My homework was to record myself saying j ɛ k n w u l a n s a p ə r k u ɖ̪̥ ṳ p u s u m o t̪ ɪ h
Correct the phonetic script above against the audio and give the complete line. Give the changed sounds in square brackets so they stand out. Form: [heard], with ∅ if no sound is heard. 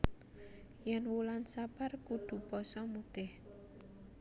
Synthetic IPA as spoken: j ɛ [∅] n w u l a n s a p [a] r k u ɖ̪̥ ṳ p [ɔ] s [ɔ] m [u] t̪ ɪ h